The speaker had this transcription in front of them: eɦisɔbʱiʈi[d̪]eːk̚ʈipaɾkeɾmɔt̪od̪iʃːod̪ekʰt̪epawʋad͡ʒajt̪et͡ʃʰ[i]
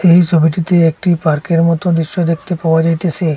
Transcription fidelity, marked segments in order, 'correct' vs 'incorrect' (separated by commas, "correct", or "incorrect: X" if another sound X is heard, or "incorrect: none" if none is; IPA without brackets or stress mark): incorrect: t̪, incorrect: e